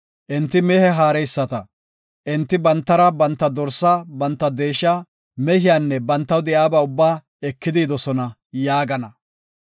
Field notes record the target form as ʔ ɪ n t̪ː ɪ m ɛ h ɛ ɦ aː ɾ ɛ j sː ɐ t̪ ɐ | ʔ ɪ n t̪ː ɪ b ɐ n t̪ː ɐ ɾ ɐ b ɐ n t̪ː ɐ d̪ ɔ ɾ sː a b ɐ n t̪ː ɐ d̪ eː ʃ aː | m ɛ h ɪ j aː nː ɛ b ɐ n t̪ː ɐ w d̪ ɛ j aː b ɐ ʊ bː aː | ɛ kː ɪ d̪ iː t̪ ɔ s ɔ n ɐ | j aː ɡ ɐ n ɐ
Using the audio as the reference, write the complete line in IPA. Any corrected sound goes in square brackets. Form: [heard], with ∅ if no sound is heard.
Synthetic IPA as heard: ʔ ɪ n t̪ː ɪ m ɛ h ɛ ɦ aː ɾ ɛ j sː ɐ t̪ ɐ | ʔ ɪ n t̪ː ɪ b ɐ n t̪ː ɐ ɾ ɐ b ɐ n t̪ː ɐ d̪ ɔ ɾ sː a b ɐ n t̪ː ɐ d̪ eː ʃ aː | m ɛ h ɪ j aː nː ɛ b ɐ n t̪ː ɐ w d̪ ɛ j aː b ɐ ʊ bː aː | ɛ kː ɪ d̪ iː [d̪] ɔ s ɔ n ɐ | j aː ɡ ɐ n ɐ